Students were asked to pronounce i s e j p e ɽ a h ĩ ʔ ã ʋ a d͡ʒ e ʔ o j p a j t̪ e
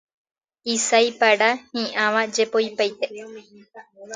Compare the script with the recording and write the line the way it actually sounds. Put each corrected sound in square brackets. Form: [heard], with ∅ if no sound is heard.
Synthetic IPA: i s [a] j p [a] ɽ a h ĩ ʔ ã ʋ a d͡ʒ e [p] o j p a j t̪ e